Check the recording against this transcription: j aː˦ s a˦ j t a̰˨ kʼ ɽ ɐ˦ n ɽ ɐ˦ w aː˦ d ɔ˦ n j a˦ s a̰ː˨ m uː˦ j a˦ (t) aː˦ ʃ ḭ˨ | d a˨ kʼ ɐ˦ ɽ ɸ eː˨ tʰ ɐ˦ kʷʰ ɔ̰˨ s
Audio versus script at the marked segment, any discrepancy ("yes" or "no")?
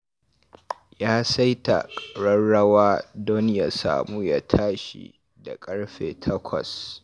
yes